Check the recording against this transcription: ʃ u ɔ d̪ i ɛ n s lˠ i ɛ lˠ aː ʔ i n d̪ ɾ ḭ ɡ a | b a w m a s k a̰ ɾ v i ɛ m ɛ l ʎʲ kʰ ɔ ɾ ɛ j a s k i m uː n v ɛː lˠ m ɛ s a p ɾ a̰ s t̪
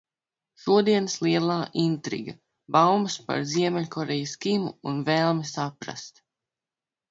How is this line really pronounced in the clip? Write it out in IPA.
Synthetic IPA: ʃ u ɔ d̪ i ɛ n s lˠ i ɛ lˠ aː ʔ i n t̪ ɾ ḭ ɡ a | b a w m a s p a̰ ɾ z i ɛ m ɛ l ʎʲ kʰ ɔ ɾ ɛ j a s k i m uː n v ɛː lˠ m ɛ s a p ɾ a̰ s t̪